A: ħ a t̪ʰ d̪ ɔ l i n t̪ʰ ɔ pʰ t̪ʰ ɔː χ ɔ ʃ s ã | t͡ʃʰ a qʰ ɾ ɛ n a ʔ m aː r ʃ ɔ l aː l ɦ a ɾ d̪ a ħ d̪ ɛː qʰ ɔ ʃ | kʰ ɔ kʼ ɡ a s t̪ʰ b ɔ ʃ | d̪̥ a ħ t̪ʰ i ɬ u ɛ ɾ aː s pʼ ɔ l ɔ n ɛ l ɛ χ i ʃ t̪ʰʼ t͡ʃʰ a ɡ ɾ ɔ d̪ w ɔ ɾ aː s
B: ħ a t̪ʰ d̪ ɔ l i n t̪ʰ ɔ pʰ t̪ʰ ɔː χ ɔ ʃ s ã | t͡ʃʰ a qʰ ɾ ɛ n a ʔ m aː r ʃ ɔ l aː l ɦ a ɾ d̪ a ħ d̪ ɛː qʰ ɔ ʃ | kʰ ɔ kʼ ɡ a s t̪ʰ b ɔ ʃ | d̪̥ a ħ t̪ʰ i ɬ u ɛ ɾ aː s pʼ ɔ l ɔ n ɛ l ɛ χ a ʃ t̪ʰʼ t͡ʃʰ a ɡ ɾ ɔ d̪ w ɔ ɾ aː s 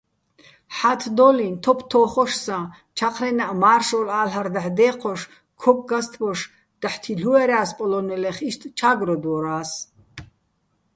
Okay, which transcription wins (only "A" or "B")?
A